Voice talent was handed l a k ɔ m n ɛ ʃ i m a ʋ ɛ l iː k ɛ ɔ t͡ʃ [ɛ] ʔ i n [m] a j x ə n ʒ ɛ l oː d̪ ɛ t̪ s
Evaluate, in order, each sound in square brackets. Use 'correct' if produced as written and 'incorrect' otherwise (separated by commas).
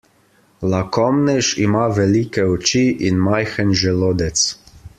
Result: incorrect, correct